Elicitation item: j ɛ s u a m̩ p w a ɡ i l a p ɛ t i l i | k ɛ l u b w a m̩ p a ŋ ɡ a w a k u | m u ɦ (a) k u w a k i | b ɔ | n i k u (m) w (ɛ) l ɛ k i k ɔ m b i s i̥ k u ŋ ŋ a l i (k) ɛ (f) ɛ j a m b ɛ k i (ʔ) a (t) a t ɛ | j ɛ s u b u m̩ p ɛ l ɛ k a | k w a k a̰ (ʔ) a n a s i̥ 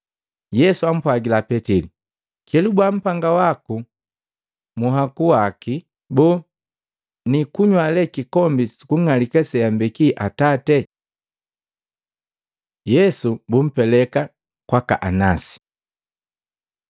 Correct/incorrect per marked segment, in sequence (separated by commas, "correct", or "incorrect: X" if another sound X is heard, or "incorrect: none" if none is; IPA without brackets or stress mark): correct, incorrect: ɲ, incorrect: a, correct, incorrect: s, correct, correct, correct